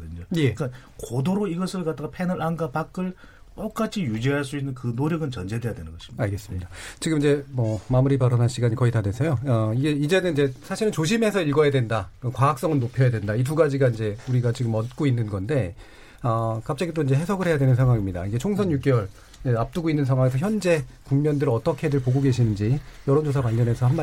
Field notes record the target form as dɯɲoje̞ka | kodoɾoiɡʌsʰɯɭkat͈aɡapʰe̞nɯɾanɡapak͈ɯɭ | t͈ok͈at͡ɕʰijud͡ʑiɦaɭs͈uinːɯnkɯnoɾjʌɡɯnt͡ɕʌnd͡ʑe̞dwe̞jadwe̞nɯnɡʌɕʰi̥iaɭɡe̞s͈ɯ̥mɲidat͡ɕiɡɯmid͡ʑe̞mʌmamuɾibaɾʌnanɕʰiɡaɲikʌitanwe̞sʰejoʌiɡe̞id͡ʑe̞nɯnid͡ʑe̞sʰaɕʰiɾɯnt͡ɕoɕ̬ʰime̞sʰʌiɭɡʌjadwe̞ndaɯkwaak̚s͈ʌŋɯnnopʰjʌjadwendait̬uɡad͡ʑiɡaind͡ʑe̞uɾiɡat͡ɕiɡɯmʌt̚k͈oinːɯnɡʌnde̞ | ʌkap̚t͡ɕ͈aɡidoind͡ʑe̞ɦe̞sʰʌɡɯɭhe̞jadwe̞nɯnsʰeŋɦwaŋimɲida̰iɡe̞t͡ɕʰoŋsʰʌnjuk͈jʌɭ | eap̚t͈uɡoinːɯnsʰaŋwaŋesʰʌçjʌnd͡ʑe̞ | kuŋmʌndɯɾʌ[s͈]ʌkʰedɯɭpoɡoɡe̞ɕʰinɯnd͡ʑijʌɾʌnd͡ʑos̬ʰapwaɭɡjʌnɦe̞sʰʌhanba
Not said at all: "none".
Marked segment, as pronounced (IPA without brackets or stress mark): t͈